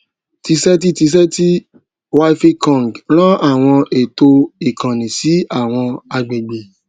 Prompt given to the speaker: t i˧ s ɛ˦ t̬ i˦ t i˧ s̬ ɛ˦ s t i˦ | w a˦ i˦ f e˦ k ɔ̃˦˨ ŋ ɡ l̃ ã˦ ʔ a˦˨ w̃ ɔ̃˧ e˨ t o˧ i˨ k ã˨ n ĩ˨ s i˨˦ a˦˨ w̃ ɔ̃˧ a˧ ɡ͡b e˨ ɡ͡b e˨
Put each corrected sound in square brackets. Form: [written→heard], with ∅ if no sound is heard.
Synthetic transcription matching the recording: t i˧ s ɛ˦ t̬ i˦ t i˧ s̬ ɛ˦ [s→∅] t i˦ | w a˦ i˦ f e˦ k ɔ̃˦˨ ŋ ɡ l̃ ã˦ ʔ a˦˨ w̃ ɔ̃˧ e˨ t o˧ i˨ k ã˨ n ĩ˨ s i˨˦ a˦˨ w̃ ɔ̃˧ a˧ ɡ͡b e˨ ɡ͡b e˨

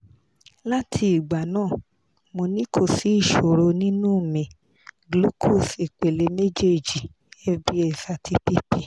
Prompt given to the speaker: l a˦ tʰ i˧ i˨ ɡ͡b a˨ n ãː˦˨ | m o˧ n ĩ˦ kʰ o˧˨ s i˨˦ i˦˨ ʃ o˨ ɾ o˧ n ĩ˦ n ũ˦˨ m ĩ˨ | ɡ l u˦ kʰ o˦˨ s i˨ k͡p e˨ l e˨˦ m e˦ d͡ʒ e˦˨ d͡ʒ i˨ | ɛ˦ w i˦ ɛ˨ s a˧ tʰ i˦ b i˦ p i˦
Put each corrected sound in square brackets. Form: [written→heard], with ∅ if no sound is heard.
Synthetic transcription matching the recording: l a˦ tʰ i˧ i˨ ɡ͡b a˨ n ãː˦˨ | m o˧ n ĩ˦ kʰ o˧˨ s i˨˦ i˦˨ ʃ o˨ ɾ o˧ n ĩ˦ n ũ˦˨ m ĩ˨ | ɡ l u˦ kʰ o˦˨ s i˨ k͡p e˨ l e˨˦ m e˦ d͡ʒ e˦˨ d͡ʒ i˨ | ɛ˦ [w→b] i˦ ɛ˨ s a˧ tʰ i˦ [b→p] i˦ p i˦

